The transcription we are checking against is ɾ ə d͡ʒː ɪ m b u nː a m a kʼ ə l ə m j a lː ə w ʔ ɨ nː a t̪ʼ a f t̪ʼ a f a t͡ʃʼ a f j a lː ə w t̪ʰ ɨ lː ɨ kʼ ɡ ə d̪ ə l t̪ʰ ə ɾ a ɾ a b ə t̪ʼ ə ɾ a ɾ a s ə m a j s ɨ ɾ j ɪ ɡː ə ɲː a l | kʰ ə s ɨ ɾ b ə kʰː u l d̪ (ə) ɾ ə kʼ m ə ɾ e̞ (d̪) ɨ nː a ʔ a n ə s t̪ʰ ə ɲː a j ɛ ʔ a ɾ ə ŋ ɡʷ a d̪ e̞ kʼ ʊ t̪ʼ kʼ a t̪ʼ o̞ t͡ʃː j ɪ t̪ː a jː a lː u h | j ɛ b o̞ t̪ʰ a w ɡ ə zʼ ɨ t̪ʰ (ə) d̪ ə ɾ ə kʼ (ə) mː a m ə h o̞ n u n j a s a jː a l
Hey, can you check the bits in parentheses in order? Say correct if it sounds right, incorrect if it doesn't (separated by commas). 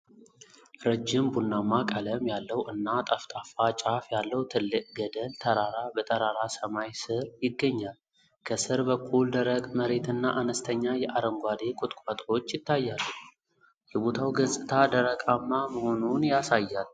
correct, incorrect, incorrect, incorrect